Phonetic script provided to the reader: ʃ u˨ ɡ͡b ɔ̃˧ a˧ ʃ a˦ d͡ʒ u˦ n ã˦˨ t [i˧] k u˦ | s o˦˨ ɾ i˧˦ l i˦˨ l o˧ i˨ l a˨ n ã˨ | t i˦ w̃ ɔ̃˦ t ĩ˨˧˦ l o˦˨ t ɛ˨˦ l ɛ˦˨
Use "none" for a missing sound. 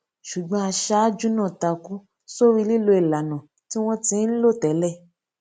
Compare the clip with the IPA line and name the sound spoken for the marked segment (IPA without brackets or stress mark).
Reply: a˧